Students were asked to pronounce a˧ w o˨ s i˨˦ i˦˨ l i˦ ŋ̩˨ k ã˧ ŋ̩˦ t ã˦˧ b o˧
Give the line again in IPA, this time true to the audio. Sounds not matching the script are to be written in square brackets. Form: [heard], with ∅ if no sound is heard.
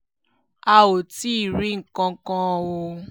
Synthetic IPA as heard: a˧ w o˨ [t] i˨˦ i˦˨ [ɾ] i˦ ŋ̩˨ k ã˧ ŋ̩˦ [k] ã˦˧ [w] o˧